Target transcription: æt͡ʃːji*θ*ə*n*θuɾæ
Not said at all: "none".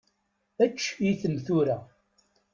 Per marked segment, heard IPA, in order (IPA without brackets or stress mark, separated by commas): θ, m